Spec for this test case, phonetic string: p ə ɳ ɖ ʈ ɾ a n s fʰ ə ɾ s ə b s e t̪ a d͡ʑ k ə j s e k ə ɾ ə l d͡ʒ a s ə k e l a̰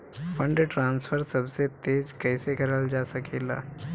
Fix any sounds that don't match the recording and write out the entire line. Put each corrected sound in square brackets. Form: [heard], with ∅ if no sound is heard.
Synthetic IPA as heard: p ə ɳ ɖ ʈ ɾ a n s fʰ ə ɾ s ə b s e t̪ [e] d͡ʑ k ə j s e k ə ɾ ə l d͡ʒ a s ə k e l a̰